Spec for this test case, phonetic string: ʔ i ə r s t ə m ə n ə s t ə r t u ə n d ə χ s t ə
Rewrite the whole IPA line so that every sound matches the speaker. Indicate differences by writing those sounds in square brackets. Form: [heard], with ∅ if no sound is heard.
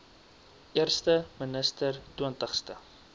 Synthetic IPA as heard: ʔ i ə r s t ə m ə n ə s t ə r t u ə n [t] ə χ s t ə